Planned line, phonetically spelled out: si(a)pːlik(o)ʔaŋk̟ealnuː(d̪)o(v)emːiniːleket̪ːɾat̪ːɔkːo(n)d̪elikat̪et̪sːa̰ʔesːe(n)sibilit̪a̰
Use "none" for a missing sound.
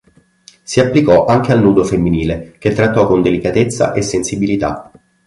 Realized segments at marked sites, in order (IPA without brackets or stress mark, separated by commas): a, ɔ, d̪, f, n, n